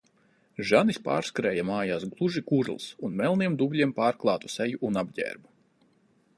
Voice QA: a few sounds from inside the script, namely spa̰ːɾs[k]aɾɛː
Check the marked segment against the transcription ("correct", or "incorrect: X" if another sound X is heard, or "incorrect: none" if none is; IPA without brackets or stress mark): correct